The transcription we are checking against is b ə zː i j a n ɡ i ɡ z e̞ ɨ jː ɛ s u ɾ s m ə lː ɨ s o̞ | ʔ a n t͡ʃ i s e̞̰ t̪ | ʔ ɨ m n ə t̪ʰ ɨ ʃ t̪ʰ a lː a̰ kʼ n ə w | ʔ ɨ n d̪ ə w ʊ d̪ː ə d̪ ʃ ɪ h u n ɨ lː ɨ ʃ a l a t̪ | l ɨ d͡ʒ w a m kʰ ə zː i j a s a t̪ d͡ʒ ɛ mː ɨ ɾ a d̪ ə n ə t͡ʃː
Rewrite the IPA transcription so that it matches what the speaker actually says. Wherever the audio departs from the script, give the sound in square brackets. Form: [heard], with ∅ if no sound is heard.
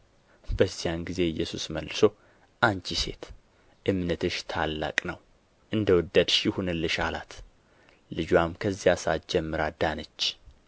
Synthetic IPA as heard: b ə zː i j a n ɡ i [∅] z e̞ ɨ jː ɛ s u [∅] s m ə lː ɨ s o̞ | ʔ a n t͡ʃ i s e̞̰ t̪ | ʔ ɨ m n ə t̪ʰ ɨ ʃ t̪ʰ a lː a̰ kʼ n ə w | ʔ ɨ n d̪ ə w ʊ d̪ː ə d̪ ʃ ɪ h u n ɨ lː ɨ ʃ a l a t̪ | l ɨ d͡ʒ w a m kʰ ə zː i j a s a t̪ d͡ʒ ɛ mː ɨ ɾ a d̪ [a] n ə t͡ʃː